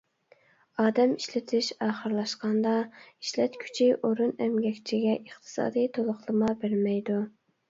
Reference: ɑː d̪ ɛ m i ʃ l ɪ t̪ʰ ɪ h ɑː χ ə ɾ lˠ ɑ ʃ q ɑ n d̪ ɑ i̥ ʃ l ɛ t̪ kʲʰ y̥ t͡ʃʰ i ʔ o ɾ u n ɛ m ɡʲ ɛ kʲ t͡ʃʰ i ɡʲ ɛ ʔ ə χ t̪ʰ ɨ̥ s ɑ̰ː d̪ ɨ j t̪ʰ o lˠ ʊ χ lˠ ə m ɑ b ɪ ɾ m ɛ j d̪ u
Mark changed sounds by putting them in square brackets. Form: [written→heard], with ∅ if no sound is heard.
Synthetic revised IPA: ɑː d̪ ɛ m i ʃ l ɪ t̪ʰ ɪ [h→ʃ] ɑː χ ə ɾ lˠ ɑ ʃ q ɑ n d̪ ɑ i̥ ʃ l ɛ t̪ kʲʰ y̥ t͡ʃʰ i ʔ o ɾ u n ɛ m ɡʲ ɛ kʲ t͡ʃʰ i ɡʲ ɛ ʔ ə χ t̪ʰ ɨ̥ s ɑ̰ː d̪ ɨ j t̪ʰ o lˠ ʊ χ lˠ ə m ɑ b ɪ ɾ m ɛ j d̪ u